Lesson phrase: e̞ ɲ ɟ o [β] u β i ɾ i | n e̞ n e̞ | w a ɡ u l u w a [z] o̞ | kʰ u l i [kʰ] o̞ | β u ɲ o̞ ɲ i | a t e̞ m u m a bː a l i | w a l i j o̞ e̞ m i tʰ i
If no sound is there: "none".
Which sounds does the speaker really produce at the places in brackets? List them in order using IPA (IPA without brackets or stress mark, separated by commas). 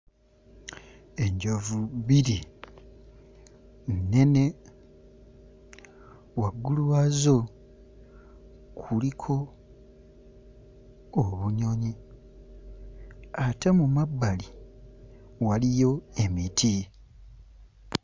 v, z, kʰ